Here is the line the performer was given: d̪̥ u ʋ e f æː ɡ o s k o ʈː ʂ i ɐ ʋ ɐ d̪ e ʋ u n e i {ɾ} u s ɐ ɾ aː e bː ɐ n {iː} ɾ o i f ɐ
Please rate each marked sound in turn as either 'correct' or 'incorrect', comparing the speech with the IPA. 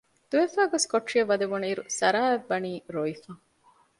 correct, correct

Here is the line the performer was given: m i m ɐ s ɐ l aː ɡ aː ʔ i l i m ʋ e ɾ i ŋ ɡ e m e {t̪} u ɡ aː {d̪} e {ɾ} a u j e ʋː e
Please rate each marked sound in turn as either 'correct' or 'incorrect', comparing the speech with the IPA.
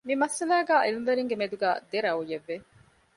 incorrect: d̪, correct, correct

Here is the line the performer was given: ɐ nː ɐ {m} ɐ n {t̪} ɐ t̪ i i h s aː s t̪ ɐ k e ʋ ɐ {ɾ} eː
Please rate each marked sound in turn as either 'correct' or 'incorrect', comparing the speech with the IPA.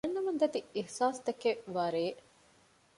correct, incorrect: d̪, correct

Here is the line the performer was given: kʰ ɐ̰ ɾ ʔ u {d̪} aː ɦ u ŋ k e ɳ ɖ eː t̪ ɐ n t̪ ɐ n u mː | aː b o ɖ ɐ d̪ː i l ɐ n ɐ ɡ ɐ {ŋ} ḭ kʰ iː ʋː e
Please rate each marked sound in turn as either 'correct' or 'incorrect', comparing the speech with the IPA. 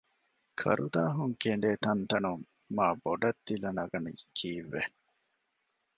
correct, incorrect: n

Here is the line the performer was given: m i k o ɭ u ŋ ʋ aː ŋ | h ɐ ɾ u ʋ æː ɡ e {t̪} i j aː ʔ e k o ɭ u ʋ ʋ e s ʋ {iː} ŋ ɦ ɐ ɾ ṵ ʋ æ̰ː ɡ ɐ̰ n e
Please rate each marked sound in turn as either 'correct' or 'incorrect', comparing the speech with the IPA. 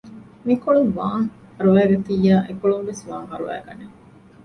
correct, incorrect: aː

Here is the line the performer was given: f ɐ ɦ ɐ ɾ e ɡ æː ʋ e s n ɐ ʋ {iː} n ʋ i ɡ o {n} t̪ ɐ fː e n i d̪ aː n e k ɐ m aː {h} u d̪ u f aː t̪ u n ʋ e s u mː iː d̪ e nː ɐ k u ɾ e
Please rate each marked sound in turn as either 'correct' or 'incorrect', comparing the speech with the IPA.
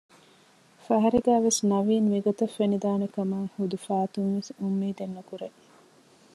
correct, incorrect: none, correct

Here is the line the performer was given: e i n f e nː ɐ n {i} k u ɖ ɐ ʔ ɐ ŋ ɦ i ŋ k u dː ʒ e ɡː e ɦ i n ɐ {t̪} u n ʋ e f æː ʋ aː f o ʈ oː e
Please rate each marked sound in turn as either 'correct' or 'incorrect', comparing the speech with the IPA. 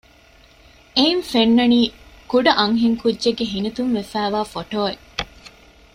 incorrect: iː, correct

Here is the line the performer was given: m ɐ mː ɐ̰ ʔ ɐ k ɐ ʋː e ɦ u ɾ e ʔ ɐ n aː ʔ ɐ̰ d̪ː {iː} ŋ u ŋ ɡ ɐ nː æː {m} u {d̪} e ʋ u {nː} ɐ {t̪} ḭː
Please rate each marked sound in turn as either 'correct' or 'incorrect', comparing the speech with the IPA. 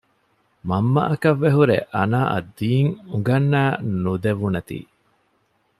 correct, incorrect: n, correct, incorrect: n, correct

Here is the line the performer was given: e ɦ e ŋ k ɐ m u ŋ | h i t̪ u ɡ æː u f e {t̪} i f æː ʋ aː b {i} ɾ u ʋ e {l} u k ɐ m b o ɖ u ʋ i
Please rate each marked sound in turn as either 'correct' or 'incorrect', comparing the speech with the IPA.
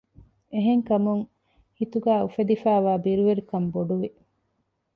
incorrect: d̪, correct, incorrect: ɾ

